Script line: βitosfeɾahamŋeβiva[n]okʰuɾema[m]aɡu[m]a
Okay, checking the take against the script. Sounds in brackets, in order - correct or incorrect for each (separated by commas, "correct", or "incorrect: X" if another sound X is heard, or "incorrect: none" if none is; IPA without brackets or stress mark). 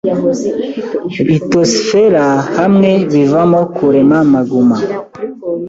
incorrect: m, correct, correct